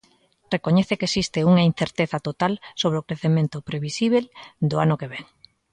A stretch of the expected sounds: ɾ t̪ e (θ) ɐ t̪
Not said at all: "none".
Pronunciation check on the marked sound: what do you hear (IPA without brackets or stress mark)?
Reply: θ